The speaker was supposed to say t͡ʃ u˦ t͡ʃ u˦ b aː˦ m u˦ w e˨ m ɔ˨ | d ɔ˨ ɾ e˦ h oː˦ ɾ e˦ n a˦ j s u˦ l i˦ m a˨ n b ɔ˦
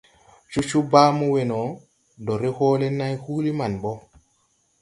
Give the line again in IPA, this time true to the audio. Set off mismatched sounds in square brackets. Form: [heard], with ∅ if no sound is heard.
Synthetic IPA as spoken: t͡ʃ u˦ t͡ʃ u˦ b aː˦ m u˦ w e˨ [n] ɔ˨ | d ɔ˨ ɾ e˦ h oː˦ [l] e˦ n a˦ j [h] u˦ l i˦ m a˨ n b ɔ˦